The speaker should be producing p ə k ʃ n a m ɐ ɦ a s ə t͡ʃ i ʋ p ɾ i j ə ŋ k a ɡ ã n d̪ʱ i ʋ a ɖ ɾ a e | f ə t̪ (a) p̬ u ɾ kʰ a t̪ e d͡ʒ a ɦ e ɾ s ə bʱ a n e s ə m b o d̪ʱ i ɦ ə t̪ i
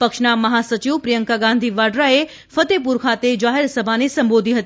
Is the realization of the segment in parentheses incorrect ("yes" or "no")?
yes